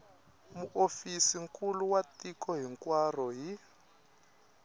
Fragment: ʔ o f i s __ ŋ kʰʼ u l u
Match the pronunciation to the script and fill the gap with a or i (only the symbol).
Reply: i